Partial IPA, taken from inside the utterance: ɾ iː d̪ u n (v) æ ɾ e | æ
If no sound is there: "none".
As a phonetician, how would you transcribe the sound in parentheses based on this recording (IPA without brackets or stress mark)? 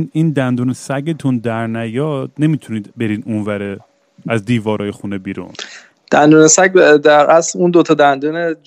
v